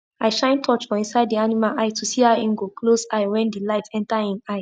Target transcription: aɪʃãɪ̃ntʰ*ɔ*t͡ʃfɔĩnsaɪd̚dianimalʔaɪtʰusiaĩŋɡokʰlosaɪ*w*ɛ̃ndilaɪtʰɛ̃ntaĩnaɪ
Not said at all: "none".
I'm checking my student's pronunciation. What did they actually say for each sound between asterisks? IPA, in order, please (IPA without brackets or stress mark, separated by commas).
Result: ɔ, w